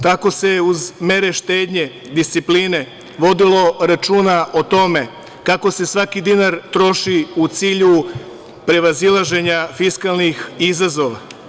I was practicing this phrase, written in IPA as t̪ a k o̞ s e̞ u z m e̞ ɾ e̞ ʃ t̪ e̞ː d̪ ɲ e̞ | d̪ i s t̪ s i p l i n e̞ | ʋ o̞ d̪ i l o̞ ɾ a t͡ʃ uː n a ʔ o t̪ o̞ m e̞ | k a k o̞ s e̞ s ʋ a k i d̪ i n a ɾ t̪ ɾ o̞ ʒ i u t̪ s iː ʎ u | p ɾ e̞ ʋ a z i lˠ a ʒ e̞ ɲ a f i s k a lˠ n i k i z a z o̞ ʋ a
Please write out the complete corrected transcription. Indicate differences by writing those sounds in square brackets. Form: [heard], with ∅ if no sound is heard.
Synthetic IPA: t̪ a k o̞ s e̞ u z m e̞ ɾ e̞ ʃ t̪ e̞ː d̪ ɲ e̞ | d̪ i s t̪ s i p l i n e̞ | ʋ o̞ d̪ i l o̞ ɾ a t͡ʃ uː n a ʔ o t̪ o̞ m e̞ | k a k o̞ s e̞ s ʋ a k i d̪ i n a ɾ t̪ ɾ o̞ [ʃ] i u t̪ s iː ʎ u | p ɾ e̞ ʋ a z i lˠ a ʒ e̞ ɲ a f i s k a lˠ n i [x] i z a z o̞ ʋ a

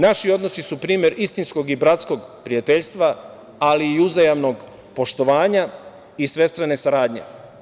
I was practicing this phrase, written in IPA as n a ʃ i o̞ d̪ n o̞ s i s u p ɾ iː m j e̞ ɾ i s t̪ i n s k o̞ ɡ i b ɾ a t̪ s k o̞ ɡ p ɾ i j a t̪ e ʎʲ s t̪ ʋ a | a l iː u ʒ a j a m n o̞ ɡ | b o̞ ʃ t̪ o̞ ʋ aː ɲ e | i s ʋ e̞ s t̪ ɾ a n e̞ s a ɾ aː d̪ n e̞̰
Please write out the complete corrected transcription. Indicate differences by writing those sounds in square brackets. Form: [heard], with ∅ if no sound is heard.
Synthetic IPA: n a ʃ i o̞ d̪ n o̞ s i s u p ɾ iː m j e̞ ɾ i s t̪ i n s k o̞ ɡ i b ɾ a t̪ s k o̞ ɡ p ɾ i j a t̪ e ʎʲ s t̪ ʋ a | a l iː u [z] a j a m n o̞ ɡ | [p] o̞ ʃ t̪ o̞ ʋ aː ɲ [a] | i s ʋ e̞ s t̪ ɾ a n e̞ s a ɾ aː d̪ [ɲ] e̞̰

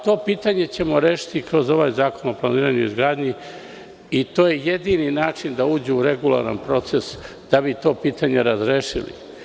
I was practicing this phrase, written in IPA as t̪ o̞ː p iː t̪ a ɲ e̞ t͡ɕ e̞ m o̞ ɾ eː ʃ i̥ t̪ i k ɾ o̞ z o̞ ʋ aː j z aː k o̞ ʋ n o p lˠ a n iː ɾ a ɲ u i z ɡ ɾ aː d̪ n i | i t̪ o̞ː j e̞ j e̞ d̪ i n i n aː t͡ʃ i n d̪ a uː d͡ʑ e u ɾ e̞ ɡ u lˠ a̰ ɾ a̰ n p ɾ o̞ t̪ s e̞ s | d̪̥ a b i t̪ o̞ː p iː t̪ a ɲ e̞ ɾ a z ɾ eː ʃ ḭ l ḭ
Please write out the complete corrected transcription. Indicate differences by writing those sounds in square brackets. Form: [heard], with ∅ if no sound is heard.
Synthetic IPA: t̪ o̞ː p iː t̪ a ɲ e̞ t͡ɕ e̞ m o̞ ɾ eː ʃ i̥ t̪ i k ɾ o̞ z o̞ ʋ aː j z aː k o̞ [∅] n o p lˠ a n iː ɾ a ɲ u i z ɡ ɾ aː d̪ [ɲ] i | i t̪ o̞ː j e̞ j e̞ d̪ i n i n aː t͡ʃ i n d̪ a uː d͡ʑ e u ɾ e̞ ɡ u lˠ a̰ ɾ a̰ n p ɾ o̞ t̪ s e̞ s | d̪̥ a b i t̪ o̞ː p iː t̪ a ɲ e̞ ɾ a z ɾ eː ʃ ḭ l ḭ

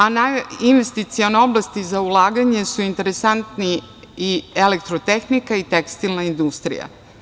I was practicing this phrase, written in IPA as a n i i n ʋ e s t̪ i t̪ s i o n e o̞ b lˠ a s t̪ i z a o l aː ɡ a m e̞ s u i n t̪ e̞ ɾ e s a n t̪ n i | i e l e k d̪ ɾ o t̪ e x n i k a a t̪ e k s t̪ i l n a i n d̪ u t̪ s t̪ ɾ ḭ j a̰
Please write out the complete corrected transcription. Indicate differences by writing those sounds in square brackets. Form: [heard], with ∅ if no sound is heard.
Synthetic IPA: a n [a] i n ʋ e s t̪ i t̪ s i o n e o̞ b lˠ a s t̪ i z a [u] l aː ɡ a [ɲ] e̞ s u i n t̪ e̞ ɾ e s a n t̪ n i | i e l e k [t̪] ɾ o t̪ e x n i k a [i] t̪ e k s t̪ i l n a i n d̪ u [∅] s t̪ ɾ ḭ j a̰

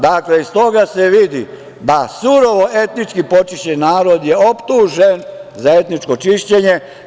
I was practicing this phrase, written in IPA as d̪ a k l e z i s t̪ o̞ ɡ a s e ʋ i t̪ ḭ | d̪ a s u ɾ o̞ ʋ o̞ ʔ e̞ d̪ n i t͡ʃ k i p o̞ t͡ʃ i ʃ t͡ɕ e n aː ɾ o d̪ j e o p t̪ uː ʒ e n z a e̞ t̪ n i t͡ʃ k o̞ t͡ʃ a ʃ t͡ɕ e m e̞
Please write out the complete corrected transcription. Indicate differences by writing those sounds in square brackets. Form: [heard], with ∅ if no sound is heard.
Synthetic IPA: d̪ a k l e [∅] i s t̪ o̞ ɡ a s e ʋ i [d̪] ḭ | d̪ a s u ɾ o̞ ʋ o̞ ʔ e̞ [t̪] n i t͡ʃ k i p o̞ t͡ʃ i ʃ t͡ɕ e n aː ɾ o d̪ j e o p t̪ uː ʒ e n z a e̞ t̪ n i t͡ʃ k o̞ t͡ʃ [i] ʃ t͡ɕ e [ɲ] e̞

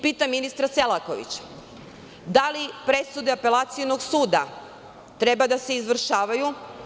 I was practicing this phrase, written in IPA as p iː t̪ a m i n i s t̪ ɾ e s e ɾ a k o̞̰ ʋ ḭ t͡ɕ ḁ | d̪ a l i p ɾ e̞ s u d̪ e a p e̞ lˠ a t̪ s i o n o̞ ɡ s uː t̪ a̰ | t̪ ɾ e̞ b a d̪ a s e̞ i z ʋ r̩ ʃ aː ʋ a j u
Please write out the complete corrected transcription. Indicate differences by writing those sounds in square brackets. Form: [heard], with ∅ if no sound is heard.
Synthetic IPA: p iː t̪ a m i n i s t̪ ɾ [a] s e [l] a k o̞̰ ʋ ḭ t͡ɕ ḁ | d̪ a l i p ɾ e̞ s u d̪ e a p e̞ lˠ a t̪ s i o n o̞ ɡ s uː [d̪] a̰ | t̪ ɾ e̞ b a d̪ a s e̞ i z ʋ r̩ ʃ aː ʋ a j u

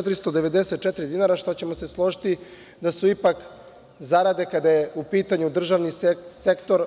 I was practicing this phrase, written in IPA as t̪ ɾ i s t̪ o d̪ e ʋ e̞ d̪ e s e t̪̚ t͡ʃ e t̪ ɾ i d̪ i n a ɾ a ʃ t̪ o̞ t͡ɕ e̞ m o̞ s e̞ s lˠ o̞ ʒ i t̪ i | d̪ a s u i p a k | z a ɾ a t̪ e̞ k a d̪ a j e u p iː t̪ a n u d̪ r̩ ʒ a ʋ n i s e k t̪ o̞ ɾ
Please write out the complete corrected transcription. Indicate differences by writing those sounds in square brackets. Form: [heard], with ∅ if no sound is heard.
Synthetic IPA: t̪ ɾ i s t̪ o d̪ e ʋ e̞ d̪ e s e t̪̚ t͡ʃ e t̪ ɾ i d̪ i n a ɾ a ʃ t̪ o̞ t͡ɕ e̞ m o̞ s e̞ s lˠ o̞ ʒ i t̪ i | d̪ a s u i p a k | z a ɾ a [d̪] e̞ k a d̪ a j e u p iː t̪ a [ɲ] u d̪ r̩ ʒ a ʋ n i s e k t̪ o̞ ɾ

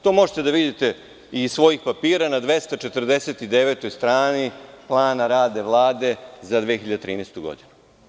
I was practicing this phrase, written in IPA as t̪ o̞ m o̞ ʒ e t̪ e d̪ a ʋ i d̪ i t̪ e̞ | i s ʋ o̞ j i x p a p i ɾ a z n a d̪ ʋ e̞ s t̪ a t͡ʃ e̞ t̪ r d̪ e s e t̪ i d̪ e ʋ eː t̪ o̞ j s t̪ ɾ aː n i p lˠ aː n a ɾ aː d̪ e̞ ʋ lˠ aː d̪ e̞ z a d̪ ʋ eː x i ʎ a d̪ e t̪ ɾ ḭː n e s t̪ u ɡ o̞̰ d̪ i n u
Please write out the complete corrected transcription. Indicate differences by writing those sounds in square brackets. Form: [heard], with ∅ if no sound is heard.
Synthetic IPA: t̪ o̞ m o̞ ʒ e t̪ e d̪ a ʋ i d̪ i t̪ e̞ | i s ʋ o̞ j i x p a p [iː] ɾ a [∅] n a d̪ ʋ e̞ s t̪ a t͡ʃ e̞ t̪ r d̪ e s e t̪ i d̪ e ʋ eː t̪ o̞ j s t̪ ɾ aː n i p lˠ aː n a ɾ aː d̪ e̞ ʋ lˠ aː d̪ e̞ z a d̪ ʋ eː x i ʎ a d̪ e t̪ ɾ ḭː n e s t̪ u ɡ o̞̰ d̪ i n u

